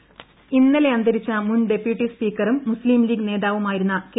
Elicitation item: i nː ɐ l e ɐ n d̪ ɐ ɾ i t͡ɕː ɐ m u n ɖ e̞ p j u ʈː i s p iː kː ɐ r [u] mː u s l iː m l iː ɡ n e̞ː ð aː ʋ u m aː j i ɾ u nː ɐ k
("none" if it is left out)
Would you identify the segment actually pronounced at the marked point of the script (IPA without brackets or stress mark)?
u